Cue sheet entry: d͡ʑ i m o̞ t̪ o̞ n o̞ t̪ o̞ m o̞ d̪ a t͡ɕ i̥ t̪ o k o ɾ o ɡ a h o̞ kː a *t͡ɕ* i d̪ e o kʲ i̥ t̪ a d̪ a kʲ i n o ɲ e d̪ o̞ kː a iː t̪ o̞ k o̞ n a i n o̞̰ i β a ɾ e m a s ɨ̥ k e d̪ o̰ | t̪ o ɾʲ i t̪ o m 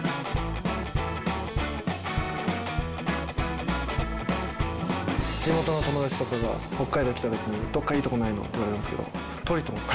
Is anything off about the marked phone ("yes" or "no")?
yes